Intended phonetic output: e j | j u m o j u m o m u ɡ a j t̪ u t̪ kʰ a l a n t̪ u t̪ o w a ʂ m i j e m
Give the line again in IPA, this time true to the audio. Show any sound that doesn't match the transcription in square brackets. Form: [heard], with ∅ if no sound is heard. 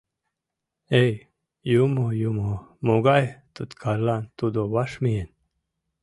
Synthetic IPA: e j | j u m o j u m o m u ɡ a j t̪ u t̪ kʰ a l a n t̪ u [d̪] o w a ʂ m i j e [n]